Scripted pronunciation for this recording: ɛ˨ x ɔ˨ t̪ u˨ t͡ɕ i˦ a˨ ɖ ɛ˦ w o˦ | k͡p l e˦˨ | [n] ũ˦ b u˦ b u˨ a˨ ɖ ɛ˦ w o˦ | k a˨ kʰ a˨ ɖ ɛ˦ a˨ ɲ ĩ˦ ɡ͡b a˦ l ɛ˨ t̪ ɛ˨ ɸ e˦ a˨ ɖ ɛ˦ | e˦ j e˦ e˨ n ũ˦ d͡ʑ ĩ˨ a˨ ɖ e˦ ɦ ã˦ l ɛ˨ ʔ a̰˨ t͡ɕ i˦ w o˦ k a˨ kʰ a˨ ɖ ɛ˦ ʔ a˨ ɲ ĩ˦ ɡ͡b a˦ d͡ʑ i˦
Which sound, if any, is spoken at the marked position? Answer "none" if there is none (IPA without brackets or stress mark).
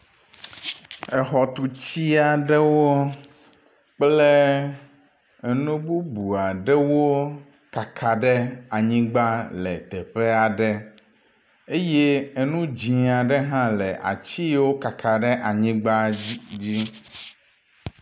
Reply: n